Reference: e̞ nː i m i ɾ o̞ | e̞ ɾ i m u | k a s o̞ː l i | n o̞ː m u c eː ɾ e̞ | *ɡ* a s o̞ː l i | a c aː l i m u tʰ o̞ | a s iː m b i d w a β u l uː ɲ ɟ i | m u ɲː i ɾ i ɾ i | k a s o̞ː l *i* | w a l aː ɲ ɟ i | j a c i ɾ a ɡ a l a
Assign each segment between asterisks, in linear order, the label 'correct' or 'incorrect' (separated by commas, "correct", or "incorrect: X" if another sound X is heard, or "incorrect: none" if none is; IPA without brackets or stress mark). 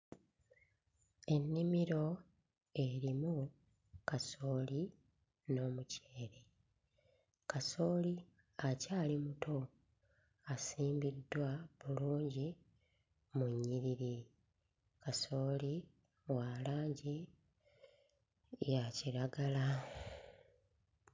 incorrect: k, correct